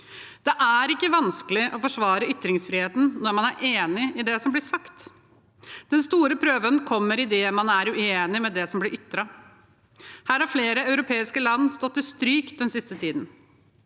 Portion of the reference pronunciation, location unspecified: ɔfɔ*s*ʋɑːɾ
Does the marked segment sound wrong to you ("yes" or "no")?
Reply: yes